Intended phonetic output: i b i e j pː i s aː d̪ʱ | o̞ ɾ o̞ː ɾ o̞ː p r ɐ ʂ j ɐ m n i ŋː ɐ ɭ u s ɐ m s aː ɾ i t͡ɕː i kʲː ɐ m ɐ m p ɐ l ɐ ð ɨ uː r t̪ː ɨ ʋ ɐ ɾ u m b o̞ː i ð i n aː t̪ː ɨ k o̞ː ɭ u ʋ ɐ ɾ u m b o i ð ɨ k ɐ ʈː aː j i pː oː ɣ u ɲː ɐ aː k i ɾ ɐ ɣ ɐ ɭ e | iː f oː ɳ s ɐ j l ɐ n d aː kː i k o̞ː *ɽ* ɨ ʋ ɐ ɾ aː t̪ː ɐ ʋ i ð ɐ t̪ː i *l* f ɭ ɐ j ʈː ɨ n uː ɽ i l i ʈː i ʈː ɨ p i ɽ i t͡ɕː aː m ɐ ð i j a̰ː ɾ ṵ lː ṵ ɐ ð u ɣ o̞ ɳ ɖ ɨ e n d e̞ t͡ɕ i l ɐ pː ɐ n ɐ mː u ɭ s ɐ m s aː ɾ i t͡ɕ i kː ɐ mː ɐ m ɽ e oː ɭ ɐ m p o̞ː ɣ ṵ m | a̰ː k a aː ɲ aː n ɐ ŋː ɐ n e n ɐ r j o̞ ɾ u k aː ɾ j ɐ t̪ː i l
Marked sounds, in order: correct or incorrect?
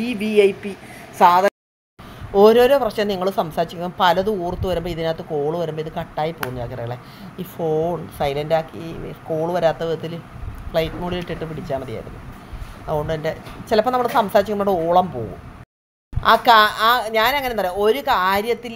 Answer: incorrect, correct

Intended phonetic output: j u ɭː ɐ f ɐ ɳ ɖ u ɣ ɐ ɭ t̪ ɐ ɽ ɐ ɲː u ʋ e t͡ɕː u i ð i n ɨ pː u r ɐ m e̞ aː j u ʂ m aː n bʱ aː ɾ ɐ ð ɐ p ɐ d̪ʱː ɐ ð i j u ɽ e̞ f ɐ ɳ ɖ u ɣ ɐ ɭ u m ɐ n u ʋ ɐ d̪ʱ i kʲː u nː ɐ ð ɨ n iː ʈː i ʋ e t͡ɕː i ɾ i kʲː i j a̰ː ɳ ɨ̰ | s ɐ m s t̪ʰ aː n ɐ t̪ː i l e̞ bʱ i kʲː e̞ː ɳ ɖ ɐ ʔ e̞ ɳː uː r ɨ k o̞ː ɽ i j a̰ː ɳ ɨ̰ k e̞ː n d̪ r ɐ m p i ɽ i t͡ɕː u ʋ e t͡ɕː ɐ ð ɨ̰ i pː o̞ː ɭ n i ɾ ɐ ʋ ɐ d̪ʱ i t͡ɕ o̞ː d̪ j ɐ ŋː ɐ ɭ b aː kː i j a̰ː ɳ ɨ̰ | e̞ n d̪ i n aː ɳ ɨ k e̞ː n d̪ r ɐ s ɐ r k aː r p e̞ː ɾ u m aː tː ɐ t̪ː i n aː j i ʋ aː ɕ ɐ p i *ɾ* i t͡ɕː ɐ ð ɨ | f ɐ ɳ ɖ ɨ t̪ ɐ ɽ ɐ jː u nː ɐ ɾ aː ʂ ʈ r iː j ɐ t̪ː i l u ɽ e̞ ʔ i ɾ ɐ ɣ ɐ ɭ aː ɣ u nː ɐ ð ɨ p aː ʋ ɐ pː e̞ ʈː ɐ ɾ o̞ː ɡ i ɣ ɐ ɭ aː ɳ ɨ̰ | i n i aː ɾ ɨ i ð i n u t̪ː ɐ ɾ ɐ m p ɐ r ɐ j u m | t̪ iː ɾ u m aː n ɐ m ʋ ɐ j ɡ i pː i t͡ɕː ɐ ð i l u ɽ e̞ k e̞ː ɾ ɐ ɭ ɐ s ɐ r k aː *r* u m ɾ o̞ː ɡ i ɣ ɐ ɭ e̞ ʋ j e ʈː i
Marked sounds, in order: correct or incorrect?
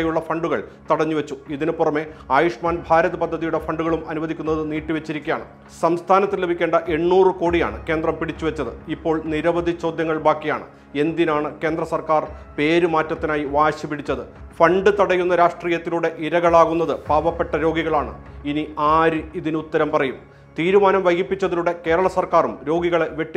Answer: incorrect, correct

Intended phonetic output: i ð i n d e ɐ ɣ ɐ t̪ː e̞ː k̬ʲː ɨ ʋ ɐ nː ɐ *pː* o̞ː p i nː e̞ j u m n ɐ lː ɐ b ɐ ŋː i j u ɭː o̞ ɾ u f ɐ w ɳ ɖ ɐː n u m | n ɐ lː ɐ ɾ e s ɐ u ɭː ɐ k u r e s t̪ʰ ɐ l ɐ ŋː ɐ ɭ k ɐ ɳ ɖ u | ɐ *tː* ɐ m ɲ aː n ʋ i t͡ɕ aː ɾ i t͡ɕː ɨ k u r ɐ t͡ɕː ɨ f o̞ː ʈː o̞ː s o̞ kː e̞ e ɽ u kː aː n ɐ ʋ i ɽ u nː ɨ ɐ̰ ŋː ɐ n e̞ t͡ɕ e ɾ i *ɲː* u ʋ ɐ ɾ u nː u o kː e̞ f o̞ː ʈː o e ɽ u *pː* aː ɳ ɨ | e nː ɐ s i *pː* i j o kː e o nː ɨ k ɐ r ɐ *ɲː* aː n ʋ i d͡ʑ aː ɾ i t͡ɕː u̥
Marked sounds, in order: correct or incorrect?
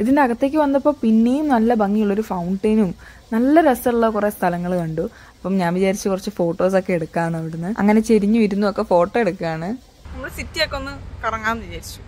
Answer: correct, incorrect, correct, incorrect, incorrect, incorrect

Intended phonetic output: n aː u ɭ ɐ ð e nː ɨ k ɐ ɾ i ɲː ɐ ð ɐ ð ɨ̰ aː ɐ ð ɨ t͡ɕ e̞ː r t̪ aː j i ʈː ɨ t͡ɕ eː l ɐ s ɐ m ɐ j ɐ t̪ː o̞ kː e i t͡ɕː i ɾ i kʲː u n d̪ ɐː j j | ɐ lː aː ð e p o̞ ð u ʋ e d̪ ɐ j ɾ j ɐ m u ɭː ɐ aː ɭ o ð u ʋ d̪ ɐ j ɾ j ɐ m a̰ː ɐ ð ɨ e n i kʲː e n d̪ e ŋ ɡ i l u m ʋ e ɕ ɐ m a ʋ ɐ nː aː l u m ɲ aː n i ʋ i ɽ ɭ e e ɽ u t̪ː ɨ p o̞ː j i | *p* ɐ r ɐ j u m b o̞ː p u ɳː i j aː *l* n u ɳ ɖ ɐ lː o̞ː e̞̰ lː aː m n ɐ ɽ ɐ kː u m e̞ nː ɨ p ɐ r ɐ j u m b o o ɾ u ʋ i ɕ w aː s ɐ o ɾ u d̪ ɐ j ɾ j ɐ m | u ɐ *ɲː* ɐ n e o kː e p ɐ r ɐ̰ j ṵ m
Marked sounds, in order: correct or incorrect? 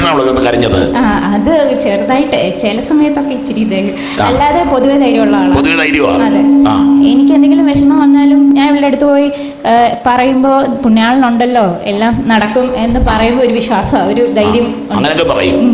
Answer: correct, incorrect, incorrect

